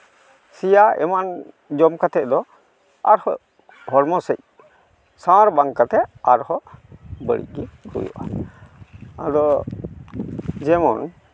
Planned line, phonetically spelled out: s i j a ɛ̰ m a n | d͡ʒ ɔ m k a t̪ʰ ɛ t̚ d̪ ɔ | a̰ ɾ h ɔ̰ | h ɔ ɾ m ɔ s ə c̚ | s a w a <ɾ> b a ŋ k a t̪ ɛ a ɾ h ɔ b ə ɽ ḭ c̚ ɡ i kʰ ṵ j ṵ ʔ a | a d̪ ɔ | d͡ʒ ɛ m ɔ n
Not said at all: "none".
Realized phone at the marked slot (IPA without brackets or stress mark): ɾ